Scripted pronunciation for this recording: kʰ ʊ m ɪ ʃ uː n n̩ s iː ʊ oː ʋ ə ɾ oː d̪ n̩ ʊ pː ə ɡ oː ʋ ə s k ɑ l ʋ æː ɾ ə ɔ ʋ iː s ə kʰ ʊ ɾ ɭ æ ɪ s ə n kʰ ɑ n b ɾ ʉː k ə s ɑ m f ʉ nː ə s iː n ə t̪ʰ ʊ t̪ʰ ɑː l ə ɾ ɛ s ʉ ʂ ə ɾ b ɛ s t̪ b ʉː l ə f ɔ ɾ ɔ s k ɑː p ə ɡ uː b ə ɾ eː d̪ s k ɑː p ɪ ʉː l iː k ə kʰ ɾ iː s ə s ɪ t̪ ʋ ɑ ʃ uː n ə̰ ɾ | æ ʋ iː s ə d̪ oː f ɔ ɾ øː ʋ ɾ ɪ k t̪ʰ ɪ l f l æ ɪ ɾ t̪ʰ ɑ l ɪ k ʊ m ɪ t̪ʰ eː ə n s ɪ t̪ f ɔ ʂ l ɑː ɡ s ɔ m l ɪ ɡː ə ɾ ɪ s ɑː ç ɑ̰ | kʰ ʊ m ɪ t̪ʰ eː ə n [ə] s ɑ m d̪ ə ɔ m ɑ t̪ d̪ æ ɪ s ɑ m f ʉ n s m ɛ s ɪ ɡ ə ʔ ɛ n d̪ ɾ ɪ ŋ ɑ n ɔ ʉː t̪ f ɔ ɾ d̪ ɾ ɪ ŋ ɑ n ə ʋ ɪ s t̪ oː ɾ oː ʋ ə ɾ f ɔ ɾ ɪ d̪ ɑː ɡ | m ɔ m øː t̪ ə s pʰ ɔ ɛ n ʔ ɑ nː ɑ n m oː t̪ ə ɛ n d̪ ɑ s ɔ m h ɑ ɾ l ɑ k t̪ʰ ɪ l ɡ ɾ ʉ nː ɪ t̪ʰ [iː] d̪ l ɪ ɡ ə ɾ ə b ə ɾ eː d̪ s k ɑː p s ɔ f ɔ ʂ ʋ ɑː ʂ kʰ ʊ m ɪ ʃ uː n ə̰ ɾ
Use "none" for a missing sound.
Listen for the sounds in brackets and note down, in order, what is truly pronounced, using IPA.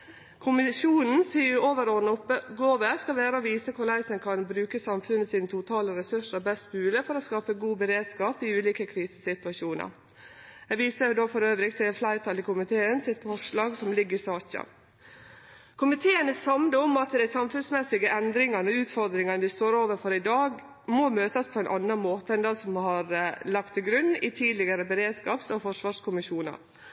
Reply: ə, iː

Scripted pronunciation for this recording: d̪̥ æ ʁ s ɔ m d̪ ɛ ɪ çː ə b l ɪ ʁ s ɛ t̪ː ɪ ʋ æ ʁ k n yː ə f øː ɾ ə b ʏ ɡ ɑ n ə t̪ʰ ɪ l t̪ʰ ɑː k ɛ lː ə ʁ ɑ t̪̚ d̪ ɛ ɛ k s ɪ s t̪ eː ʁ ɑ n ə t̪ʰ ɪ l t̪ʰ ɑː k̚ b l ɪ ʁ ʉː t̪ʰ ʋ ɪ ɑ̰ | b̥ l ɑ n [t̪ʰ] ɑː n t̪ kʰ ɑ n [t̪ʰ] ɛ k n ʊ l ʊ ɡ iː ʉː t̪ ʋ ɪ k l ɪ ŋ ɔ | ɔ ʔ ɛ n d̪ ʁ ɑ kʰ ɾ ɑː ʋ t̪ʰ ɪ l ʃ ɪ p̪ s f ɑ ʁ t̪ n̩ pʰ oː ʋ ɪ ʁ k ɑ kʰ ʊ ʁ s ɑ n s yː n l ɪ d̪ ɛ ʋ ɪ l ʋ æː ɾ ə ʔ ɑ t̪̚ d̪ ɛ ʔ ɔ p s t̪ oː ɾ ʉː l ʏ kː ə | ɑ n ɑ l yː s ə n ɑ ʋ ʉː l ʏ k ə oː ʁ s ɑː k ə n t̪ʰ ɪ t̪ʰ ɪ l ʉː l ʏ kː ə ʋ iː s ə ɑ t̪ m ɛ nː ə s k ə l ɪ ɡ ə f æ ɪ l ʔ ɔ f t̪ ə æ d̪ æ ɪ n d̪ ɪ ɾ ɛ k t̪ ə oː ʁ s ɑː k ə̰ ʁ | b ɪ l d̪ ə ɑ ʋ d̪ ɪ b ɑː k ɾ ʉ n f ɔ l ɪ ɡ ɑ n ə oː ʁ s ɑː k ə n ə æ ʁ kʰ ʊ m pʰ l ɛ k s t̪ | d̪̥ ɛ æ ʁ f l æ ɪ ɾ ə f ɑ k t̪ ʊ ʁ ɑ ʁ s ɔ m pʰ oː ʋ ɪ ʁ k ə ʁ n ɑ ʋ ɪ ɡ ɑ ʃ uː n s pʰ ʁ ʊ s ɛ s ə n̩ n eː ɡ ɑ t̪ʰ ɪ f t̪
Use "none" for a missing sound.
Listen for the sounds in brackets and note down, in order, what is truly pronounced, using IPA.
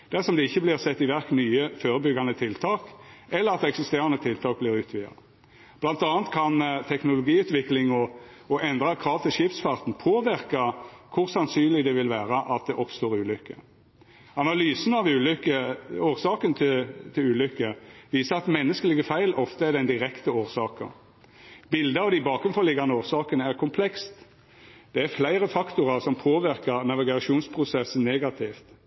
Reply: t̪, t̪ʰ

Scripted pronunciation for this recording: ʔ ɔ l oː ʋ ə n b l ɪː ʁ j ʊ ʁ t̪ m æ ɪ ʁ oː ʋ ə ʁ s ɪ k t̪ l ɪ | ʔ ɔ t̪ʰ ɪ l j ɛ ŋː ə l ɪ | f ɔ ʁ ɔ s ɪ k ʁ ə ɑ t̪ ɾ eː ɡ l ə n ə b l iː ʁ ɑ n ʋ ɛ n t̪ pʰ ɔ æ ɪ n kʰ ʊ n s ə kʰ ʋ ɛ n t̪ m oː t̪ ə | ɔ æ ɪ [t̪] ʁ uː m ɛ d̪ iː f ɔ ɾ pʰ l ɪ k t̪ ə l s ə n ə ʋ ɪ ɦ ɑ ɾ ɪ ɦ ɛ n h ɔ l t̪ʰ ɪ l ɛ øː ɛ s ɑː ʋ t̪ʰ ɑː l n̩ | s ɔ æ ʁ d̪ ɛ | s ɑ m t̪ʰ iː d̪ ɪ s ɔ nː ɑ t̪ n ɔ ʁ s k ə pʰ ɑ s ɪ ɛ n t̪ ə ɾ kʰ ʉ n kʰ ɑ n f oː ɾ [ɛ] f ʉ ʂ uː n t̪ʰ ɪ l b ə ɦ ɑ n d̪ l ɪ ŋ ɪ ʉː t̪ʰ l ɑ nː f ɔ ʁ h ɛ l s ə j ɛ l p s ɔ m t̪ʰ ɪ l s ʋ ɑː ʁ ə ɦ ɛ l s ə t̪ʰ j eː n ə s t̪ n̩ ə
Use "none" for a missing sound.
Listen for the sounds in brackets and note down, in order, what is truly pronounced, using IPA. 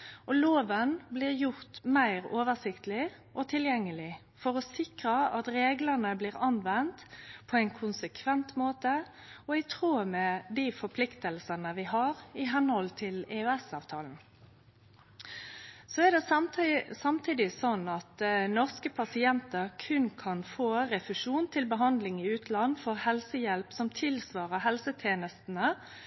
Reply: t̪ʰ, ɛ

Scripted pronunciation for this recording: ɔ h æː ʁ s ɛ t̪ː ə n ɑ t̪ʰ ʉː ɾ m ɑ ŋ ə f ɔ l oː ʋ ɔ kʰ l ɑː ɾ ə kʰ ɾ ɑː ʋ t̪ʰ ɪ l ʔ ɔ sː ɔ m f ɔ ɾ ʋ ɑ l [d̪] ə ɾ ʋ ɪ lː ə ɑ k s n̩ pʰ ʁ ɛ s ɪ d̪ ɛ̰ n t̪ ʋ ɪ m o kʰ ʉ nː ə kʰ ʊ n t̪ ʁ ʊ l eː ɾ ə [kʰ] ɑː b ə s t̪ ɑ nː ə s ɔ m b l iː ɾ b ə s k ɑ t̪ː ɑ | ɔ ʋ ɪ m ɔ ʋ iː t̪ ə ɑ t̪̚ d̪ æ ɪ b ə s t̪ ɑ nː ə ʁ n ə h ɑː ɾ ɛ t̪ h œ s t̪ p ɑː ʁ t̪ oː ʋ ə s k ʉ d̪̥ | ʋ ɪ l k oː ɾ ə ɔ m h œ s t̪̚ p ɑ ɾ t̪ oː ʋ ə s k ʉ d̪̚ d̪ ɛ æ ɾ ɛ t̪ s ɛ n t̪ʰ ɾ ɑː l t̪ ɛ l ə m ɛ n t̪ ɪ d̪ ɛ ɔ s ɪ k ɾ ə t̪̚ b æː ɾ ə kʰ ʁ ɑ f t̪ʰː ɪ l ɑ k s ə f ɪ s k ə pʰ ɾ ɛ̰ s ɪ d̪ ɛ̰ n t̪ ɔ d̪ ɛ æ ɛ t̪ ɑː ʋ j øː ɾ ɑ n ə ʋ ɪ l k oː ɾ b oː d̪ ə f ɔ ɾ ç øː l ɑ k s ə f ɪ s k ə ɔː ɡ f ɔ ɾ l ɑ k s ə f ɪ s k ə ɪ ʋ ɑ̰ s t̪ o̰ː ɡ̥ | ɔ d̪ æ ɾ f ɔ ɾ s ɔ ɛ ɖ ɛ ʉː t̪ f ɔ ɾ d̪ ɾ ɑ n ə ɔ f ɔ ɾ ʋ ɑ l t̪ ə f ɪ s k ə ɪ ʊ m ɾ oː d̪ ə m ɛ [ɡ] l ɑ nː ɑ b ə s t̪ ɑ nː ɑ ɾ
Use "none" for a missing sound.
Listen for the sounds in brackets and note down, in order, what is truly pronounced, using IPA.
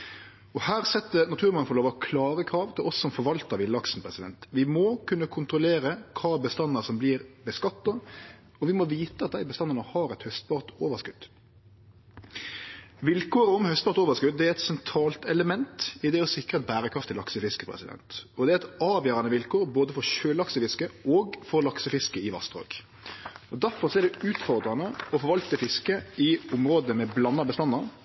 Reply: t̪, kʰ, b

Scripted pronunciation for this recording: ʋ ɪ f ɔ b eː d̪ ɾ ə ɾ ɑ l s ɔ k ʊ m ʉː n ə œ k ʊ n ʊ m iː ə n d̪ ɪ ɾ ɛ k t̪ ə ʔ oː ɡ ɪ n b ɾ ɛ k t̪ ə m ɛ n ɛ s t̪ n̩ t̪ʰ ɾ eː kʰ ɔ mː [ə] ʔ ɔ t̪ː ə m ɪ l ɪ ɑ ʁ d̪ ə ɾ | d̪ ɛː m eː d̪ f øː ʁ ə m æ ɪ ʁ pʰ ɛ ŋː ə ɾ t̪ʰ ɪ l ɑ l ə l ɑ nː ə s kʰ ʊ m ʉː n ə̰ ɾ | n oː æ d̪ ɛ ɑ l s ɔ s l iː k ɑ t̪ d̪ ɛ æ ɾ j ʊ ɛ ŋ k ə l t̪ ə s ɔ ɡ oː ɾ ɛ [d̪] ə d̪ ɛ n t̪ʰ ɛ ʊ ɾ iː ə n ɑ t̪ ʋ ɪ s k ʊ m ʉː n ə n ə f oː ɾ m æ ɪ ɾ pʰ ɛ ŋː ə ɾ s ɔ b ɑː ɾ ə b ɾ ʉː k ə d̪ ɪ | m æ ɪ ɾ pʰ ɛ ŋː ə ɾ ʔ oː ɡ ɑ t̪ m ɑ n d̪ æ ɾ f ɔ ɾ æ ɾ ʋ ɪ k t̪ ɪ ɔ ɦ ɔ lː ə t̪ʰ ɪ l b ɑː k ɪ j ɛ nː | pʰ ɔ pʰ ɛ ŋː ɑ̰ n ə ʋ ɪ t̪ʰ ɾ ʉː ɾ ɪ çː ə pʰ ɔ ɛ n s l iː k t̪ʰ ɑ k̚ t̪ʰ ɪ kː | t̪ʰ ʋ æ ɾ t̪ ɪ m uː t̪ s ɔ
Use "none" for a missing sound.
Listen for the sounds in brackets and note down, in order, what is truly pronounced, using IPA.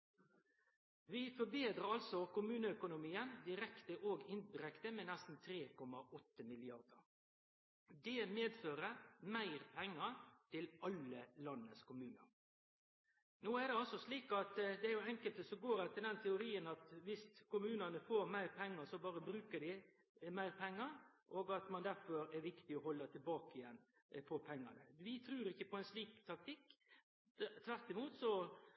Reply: ɑ, t̪

